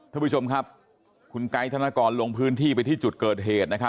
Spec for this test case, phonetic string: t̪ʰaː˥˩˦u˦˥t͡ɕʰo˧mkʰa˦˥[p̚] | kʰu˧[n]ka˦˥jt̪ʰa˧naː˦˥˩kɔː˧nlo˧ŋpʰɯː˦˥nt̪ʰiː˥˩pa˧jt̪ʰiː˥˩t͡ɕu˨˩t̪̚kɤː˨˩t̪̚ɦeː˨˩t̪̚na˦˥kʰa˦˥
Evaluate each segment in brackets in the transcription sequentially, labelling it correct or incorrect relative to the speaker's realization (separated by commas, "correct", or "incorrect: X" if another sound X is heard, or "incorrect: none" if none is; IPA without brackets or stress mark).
correct, correct